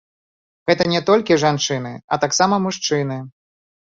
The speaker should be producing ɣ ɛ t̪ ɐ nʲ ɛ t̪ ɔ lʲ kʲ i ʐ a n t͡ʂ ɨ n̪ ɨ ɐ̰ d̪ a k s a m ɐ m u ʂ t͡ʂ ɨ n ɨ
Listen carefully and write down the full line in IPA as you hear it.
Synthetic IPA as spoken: ɣ ɛ t̪ ɐ nʲ ɛ t̪ ɔ lʲ kʲ i ʐ a n t͡ʂ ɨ n̪ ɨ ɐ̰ t̪ a k s a m ɐ m u ʂ t͡ʂ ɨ n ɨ